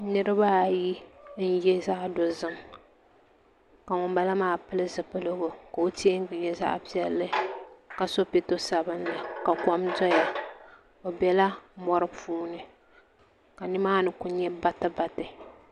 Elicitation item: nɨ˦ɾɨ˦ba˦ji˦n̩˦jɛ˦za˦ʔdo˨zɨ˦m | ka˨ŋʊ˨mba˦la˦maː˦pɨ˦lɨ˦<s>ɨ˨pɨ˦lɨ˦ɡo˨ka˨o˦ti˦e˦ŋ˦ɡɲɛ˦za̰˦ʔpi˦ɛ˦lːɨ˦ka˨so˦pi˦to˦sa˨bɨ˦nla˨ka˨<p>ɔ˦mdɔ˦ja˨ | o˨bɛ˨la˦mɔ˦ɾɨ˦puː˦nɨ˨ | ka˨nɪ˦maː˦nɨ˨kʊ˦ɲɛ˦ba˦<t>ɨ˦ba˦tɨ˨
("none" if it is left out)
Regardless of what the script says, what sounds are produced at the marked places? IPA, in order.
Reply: z, k, t

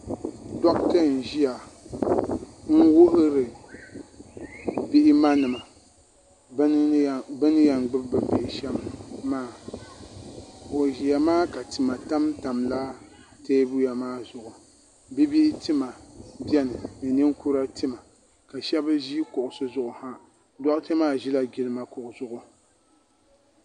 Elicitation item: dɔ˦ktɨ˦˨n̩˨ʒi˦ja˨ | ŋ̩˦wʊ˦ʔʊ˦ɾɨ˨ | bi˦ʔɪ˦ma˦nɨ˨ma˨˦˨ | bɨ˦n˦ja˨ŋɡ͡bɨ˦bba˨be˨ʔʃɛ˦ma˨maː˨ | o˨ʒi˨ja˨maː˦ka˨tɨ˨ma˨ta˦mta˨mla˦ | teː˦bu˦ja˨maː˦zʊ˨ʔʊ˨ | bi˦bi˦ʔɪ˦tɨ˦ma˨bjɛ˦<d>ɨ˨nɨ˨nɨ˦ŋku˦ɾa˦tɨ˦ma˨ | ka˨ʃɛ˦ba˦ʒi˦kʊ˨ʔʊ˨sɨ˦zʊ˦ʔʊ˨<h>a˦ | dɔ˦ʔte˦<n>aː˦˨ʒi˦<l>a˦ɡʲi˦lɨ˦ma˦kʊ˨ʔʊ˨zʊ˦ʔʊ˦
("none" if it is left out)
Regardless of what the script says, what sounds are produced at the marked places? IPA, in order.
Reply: n, h, m, l

